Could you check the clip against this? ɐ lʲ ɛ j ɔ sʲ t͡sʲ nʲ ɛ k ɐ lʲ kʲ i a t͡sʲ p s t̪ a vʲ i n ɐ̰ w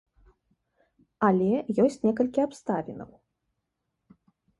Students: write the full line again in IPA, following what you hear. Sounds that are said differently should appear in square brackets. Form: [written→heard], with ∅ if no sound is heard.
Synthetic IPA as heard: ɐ lʲ ɛ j ɔ sʲ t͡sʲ nʲ ɛ k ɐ lʲ kʲ i a [t͡sʲ→∅] p s t̪ a vʲ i n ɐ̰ w